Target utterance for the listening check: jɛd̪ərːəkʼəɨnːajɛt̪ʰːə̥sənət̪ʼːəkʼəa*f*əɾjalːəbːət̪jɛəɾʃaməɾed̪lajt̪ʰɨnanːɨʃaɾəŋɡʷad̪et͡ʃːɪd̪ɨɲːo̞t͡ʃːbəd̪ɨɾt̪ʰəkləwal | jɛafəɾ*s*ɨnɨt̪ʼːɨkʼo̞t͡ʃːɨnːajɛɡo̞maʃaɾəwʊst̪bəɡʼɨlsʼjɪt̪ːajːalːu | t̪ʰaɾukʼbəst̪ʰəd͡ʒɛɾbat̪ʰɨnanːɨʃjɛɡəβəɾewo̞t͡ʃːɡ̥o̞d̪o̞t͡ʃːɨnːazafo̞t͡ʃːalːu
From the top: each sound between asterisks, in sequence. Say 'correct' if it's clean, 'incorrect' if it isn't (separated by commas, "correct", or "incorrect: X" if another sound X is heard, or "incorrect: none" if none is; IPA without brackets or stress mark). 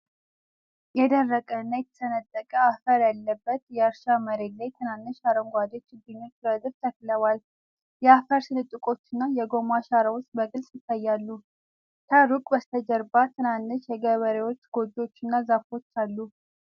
correct, correct